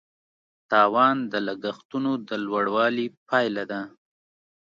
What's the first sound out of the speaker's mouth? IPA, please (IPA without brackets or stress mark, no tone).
t̪